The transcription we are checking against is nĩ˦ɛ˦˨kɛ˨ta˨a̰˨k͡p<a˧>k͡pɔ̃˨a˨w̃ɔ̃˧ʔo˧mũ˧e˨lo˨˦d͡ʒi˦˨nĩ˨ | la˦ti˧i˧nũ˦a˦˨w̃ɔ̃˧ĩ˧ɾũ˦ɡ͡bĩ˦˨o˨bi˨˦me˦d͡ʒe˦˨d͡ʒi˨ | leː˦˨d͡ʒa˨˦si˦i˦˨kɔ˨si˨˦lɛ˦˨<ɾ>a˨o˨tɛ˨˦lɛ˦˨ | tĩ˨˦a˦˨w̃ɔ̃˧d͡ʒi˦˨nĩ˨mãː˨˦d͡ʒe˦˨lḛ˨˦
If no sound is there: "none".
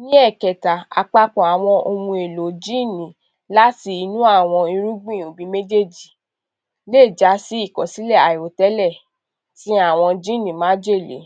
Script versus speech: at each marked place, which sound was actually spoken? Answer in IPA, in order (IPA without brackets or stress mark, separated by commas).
a˧, none